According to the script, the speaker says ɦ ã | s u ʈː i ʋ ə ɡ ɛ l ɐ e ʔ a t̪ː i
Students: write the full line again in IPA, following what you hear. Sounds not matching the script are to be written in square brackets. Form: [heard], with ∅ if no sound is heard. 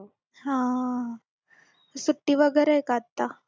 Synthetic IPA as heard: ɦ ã | s u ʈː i ʋ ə ɡ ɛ [ɾ] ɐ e [k] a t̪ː [a]

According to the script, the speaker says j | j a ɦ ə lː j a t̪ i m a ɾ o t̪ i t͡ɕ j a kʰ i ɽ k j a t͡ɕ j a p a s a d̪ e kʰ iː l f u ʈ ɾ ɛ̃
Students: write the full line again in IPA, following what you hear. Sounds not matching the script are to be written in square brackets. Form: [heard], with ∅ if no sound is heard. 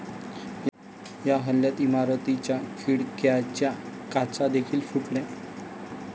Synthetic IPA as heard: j | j a ɦ ə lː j a t̪ i m a ɾ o t̪ i t͡ɕ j a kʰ i ɽ k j a t͡ɕ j a [k] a [t͡s] a d̪ e kʰ iː l f u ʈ [l] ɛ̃

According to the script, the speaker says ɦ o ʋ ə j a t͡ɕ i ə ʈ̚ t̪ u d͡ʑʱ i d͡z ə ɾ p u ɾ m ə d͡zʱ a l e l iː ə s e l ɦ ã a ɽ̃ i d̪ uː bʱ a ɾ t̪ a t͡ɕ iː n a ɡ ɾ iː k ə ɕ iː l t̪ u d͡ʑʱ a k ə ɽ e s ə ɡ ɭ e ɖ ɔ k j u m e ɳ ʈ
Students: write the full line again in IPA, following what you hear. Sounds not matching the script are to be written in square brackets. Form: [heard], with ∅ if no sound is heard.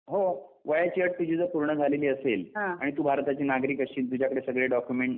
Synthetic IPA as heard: ɦ o ʋ ə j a t͡ɕ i ə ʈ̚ t̪ u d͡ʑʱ i d͡z ə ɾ p u ɾ [ɳ] ə d͡zʱ a l e l iː ə s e l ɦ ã a ɽ̃ i [t̪] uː bʱ a ɾ t̪ a t͡ɕ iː n a ɡ ɾ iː k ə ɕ iː l t̪ u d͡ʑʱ a k ə ɽ e s ə ɡ ɭ e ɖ ɔ k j u m e ɳ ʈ

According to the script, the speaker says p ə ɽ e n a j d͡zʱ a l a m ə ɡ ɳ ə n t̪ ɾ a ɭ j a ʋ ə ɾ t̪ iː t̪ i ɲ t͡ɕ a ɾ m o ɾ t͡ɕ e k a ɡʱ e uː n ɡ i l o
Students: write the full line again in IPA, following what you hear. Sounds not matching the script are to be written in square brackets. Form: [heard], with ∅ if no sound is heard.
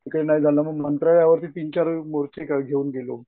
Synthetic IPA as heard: [k] ə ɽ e n a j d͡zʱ a l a m ə ɡ [m] ə n t̪ ɾ a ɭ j a ʋ ə ɾ t̪ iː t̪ i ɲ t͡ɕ a ɾ m o ɾ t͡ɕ e k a ɡʱ e uː n ɡ [e] l o

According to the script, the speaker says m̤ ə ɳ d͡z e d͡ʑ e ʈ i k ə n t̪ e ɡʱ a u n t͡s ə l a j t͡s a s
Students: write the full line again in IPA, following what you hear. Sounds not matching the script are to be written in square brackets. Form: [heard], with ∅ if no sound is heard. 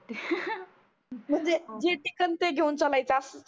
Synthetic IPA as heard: m̤ ə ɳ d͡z e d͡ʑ e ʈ i k ə n t̪ e ɡʱ [e] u n t͡s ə l a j t͡s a s

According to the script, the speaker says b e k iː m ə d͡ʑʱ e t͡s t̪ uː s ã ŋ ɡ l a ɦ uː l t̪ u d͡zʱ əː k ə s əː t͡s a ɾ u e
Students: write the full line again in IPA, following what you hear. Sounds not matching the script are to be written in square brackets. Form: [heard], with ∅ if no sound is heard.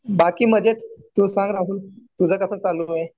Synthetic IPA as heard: b [a] k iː m ə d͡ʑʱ e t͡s t̪ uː s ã ŋ ɡ [ɾ] a ɦ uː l t̪ u d͡zʱ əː k ə s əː t͡s a [l] u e

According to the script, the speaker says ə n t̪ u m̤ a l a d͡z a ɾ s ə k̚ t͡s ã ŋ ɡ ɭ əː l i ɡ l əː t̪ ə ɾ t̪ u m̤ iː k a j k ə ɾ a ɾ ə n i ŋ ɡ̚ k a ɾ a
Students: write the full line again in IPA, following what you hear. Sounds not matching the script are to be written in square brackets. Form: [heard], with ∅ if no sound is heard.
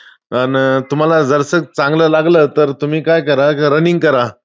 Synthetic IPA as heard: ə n t̪ u m̤ a l a d͡z [ə] ɾ s ə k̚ t͡s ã ŋ ɡ [l] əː l [a] ɡ l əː t̪ ə ɾ t̪ u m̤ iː k a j k ə ɾ a ɾ ə n i ŋ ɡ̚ k [ə] ɾ a

